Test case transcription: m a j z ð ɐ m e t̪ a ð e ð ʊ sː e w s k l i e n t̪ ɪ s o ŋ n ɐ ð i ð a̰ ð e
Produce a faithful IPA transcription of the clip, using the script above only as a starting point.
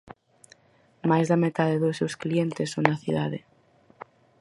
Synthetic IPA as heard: m a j z ð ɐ m e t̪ a ð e ð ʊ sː e w s k l i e n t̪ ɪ s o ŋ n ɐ θ i ð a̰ ð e